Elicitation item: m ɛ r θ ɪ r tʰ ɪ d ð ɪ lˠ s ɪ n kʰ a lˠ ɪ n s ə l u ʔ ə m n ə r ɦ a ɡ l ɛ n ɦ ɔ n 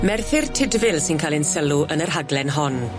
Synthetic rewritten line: m ɛ r θ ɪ r tʰ ɪ d v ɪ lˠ s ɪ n kʰ a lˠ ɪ n s ə l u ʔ ə n ə r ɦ a ɡ l ɛ n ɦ ɔ n